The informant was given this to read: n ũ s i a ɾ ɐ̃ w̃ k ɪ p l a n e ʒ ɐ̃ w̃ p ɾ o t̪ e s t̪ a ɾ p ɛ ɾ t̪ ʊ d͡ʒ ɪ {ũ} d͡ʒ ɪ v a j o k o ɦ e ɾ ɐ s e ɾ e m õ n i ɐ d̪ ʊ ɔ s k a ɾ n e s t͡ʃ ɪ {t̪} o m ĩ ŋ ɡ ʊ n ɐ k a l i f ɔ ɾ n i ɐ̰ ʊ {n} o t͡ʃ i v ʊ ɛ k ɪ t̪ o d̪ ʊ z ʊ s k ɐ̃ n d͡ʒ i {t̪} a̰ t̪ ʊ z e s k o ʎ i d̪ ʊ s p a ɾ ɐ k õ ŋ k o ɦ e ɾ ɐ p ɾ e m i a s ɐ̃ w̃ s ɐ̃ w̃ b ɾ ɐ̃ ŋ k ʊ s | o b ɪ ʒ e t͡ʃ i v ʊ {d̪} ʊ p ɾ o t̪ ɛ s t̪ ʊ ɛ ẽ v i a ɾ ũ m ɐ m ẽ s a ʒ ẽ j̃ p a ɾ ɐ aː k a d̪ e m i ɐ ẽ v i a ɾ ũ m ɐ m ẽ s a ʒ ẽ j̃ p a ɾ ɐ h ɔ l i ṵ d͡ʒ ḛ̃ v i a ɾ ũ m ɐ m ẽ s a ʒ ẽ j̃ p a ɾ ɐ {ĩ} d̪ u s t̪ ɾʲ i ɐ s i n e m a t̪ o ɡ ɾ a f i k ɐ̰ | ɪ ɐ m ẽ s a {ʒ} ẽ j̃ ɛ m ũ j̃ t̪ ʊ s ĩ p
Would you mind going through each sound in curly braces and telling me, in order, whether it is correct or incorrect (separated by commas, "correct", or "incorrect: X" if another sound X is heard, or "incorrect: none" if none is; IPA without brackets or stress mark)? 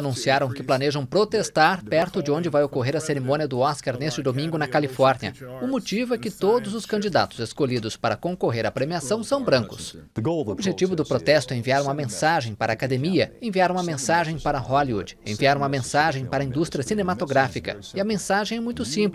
incorrect: õ, incorrect: d̪, incorrect: m, incorrect: d̪, correct, correct, correct